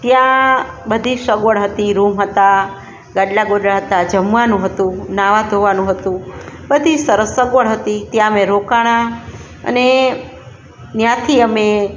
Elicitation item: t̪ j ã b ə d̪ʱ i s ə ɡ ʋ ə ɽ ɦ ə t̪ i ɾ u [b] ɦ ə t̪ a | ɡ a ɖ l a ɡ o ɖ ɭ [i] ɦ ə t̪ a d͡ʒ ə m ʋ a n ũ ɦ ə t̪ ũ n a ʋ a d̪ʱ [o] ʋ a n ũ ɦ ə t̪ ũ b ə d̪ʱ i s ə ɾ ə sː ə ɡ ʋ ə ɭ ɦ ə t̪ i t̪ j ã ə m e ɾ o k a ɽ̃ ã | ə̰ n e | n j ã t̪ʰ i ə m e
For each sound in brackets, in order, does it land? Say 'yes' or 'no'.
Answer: no, no, yes

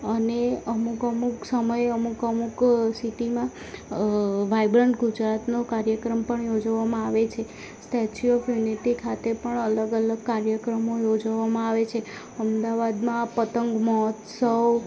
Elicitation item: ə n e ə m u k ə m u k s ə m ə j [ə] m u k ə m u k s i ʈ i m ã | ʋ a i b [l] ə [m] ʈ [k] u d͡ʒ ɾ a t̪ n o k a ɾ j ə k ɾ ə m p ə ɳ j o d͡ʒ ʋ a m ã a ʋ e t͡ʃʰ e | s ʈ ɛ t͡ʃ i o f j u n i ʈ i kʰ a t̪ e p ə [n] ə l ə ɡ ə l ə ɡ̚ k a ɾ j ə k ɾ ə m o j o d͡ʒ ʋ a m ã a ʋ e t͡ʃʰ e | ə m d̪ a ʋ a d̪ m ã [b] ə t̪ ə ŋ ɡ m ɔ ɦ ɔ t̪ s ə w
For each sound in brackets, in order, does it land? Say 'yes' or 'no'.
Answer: yes, no, no, no, no, no

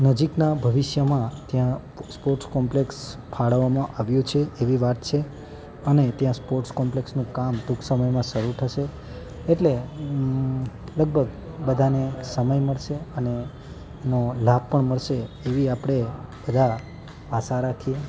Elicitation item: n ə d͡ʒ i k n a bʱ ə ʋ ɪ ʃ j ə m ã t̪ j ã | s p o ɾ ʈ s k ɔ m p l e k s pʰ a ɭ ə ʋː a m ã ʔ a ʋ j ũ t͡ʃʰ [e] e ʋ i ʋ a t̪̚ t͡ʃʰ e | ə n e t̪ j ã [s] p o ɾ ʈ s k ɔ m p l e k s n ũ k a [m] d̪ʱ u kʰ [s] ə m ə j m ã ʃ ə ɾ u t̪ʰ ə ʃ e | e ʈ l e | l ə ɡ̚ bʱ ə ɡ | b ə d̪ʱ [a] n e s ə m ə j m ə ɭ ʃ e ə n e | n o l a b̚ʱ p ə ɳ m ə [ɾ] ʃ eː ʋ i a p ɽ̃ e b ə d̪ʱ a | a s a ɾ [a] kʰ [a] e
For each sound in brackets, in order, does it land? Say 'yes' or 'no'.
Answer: yes, yes, yes, yes, yes, no, yes, no

